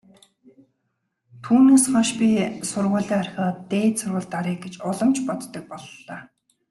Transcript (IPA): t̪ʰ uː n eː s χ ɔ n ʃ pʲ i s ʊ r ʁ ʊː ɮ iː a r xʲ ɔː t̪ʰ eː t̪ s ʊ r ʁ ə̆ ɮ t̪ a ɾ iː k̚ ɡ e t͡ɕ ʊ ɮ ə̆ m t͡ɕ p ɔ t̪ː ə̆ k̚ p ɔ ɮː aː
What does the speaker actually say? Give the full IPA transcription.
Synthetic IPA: t̪ʰ uː n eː s χ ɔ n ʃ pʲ i s ʊ r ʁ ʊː ɮ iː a r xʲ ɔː t̪ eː t̪ s ʊ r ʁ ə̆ ɮ t̪ a ɾ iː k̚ ɡ e t͡ɕ ʊ ɮ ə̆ m t͡ɕ p ɔ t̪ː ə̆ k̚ p ɔ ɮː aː

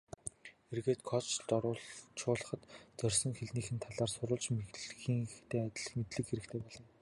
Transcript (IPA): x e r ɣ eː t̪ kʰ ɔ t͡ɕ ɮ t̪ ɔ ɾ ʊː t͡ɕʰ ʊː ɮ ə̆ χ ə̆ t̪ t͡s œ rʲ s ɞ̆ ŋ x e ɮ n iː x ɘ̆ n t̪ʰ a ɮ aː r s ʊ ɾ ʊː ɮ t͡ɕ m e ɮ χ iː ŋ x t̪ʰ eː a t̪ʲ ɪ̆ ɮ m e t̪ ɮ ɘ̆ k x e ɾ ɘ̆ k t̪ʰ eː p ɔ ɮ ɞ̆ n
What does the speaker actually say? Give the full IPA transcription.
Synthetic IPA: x e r ɣ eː t̪ kʰ ɔ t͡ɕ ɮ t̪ ɔ ɾ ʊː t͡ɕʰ ʊː ɮ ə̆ χ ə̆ t̪ t͡s œ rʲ s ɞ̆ ŋ x e ɮ n iː x ɘ̆ n t̪ʰ a ɮ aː r s ʊ ɾ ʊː ɮ t͡ɕ m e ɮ x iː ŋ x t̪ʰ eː a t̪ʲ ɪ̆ ɮ m e t̪ ɮ ɘ̆ k x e ɾ ɘ̆ k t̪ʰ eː p ɔ ɮ ɞ̆ n

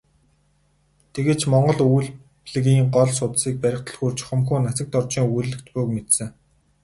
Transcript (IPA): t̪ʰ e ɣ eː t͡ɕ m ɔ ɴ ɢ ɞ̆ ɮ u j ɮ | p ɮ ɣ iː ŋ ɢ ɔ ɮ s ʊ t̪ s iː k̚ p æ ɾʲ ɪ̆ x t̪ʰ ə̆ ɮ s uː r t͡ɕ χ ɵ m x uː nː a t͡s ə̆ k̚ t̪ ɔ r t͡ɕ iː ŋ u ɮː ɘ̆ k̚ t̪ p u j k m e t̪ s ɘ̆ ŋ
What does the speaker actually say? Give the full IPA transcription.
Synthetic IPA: t̪ʰ e ɣ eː t͡ɕ m ɔ ɴ ɢ ɞ̆ ɮ u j ɮ | p ɮ ɣ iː ŋ ɢ ɔ ɮ s ʊ t̪ s iː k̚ p æ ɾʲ ɪ̆ χ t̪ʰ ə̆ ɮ x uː r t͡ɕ χ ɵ m x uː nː a t͡s ə̆ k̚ t̪ ɔ r t͡ɕ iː ŋ u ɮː ɘ̆ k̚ t̪ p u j k m e t̪ s ɘ̆ ŋ

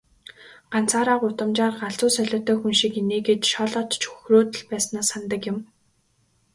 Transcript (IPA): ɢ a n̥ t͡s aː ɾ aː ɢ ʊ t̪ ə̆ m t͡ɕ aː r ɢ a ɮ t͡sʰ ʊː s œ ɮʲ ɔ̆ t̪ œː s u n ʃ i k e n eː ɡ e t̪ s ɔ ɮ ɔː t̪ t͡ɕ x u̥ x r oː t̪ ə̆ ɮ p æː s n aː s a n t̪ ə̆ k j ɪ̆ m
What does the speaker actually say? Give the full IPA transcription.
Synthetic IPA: ɢ a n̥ t͡s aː ɾ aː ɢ ʊ t̪ ə̆ m t͡ɕ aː r ɢ a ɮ t͡s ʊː s œ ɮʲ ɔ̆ t̪ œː x u n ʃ i k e n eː ɡ e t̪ ʃ ɔ ɮ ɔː t̪ t͡ɕ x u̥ x r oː t̪ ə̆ ɮ p æː s n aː s a n t̪ ə̆ k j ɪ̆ m

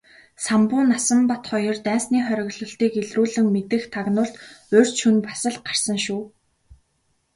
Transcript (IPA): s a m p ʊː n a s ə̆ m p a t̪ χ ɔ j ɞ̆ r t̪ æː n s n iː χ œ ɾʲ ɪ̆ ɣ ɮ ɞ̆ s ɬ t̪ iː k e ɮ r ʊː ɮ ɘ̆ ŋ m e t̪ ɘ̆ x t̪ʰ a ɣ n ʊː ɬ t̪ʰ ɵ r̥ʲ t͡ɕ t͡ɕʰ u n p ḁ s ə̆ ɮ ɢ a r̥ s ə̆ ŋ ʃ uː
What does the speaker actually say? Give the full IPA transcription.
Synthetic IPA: s a m p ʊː n a s ə̆ m p a t̪ χ ɔ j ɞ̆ r t̪ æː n s n iː χ œ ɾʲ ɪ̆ ɣ ɮ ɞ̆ ɬ t̪ iː k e ɮ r uː ɮ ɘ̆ ŋ m e t̪ ɘ̆ x t̪ʰ a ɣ n ʊː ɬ t̪ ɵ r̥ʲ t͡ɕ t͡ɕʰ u n p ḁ s ə̆ ɮ ɢ a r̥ s ə̆ ŋ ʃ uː

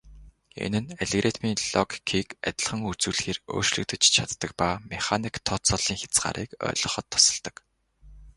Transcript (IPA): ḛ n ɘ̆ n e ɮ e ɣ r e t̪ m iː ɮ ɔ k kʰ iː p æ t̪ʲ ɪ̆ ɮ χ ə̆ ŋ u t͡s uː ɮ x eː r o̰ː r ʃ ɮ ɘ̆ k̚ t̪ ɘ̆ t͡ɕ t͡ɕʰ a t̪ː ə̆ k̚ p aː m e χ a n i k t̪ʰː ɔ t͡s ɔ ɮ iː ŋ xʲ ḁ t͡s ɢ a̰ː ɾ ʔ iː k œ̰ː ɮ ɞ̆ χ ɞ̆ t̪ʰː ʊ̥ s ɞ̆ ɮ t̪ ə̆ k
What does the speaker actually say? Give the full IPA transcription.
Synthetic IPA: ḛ n ɘ̆ n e ɮ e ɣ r e t̪ m iː ɮ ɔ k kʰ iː k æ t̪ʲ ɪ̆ ɮ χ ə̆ ŋ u t͡s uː ɮ x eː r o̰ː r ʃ ɮ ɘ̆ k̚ t̪ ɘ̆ t͡ɕ t͡ɕʰ a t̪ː ə̆ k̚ p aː m e χ a n i k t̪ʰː ɔ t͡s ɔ ɮ iː ŋ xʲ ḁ t͡s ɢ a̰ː ɾ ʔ iː k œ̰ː ɮ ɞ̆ χ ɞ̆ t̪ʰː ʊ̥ s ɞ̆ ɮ t̪ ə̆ k

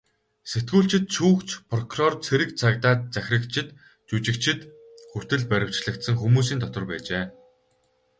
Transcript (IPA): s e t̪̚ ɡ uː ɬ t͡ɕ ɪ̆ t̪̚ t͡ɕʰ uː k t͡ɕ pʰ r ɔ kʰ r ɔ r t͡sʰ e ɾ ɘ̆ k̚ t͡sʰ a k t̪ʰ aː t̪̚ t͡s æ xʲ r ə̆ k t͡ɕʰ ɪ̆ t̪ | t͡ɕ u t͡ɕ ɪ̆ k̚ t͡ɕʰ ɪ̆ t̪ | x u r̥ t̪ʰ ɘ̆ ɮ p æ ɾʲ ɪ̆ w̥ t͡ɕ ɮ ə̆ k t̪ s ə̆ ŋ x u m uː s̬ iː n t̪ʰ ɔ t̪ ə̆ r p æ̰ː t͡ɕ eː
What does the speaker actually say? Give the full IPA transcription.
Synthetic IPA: s e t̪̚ ɡ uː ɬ t͡ɕ ɪ̆ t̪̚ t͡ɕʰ uː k t͡ɕ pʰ r ɔ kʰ r ɔ r t͡sʰ e ɾ ɘ̆ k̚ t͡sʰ a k t̪ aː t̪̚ t͡s æ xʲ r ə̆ k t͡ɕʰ ɪ̆ t̪ | t͡ɕ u t͡ɕ ɪ̆ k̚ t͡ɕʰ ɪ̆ t̪ | x u r̥ t̪ ɘ̆ ɮ p æ ɾʲ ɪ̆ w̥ t͡ɕ ɮ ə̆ k t̪ s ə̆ ŋ x u m uː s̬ iː n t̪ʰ ɔ t̪ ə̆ r p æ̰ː t͡ɕ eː

